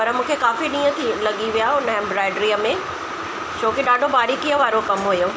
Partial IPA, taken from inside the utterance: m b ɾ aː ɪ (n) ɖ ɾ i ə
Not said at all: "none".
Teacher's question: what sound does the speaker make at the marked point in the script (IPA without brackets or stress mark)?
none